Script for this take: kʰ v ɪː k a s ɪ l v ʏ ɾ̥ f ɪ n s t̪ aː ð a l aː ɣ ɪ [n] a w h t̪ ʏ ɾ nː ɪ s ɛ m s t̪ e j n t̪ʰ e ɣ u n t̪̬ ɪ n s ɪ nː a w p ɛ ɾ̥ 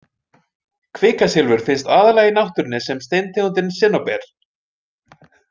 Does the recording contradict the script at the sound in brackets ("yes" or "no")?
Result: no